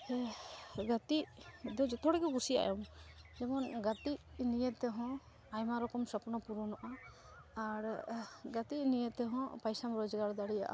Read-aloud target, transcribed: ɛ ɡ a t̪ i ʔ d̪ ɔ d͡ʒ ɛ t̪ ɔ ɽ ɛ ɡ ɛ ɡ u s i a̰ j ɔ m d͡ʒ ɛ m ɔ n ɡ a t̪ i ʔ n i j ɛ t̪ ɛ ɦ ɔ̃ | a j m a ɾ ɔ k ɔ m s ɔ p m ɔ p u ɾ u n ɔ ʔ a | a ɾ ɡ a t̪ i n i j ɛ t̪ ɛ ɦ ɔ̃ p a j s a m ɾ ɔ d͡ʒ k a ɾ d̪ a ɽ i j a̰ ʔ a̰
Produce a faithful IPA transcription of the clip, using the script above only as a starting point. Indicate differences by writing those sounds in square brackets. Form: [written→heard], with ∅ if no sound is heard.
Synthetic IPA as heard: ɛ ɡ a t̪ i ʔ d̪ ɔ d͡ʒ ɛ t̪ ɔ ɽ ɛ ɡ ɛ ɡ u s i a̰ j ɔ m d͡ʒ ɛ m ɔ n ɡ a t̪ i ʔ n i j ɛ t̪ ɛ ɦ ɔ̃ | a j m a ɾ ɔ k ɔ m s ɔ p [m→n] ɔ p u ɾ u n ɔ ʔ a | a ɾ ɡ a t̪ i n i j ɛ t̪ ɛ ɦ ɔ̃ p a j s a m ɾ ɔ d͡ʒ [k→ɡ] a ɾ d̪ a ɽ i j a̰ ʔ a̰